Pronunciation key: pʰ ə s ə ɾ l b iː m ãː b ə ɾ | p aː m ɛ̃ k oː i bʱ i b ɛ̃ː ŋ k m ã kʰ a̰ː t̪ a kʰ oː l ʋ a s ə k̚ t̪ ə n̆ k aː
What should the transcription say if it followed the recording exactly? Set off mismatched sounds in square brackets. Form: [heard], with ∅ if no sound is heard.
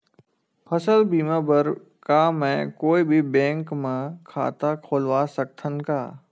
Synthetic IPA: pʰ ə s ə [∅] l b iː m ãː b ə ɾ | [k] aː m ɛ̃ k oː i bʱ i b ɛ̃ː ŋ k m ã kʰ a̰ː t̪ a kʰ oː l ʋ a s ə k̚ [t̪ʰ] ə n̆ k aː